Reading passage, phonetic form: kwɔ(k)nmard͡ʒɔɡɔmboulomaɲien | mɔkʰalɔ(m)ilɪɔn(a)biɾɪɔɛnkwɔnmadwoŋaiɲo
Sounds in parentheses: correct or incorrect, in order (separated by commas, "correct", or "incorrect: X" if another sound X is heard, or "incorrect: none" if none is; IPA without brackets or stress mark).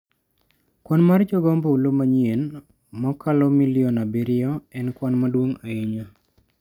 incorrect: none, correct, correct